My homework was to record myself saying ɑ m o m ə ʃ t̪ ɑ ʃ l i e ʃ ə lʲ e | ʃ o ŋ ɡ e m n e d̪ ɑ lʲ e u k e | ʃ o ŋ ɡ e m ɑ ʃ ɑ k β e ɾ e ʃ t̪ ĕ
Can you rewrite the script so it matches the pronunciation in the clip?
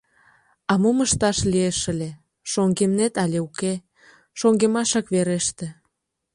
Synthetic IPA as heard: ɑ m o m ə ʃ t̪ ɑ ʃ l i e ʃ ə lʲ e | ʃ o ŋ ɡ e m n e t̪ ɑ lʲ e u k e | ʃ o ŋ ɡ e m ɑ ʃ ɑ k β e ɾ e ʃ t̪ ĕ